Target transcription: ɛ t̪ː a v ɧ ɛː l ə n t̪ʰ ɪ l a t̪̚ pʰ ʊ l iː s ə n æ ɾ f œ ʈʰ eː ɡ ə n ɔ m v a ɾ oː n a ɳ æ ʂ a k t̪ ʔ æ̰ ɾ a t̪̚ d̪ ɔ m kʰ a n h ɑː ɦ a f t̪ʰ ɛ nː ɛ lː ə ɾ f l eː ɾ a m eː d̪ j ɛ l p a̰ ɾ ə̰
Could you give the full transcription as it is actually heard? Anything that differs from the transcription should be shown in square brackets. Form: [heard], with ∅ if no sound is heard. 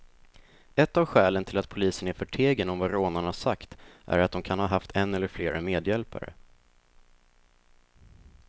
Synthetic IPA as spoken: ɛ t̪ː a v ɧ ɛː l ə n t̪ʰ ɪ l a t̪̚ pʰ ʊ l iː s ə n æ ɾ f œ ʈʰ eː ɡ ə n ɔ m v a ɾ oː n a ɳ [a] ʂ a k t̪ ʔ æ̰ ɾ a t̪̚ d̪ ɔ m kʰ a n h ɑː ɦ a f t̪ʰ ɛ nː ɛ lː ə ɾ f l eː ɾ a m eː d̪ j ɛ l p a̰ ɾ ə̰